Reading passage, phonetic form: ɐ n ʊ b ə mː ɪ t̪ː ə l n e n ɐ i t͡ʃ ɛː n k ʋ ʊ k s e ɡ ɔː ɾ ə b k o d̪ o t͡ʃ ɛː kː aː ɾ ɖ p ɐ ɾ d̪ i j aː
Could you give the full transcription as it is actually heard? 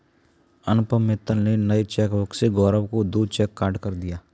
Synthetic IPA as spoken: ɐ n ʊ p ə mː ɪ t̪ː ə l n e n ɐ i t͡ʃ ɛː k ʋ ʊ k s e ɡ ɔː ɾ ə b k o d̪ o t͡ʃ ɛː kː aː ɾ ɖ k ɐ ɾ d̪ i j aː